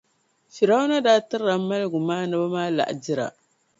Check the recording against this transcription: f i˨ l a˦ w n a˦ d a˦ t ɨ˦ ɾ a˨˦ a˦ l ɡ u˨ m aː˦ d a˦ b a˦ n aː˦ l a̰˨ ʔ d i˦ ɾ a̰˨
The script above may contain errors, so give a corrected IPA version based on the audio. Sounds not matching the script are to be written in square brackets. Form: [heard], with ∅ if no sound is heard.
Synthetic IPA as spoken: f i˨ [ɾ] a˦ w n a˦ d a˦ t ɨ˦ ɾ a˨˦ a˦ l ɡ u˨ m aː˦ [n] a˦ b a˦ [m] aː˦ l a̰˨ ʔ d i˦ ɾ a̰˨